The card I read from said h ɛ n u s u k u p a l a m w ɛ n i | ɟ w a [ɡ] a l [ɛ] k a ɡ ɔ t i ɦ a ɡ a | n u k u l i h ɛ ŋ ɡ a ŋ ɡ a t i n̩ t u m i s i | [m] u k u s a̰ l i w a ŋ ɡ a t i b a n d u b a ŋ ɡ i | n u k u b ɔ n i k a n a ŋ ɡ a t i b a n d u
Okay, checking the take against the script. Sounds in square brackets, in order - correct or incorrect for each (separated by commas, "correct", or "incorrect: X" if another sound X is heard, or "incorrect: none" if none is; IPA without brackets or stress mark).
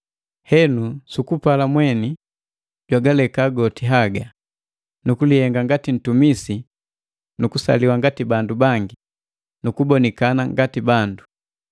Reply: correct, correct, incorrect: n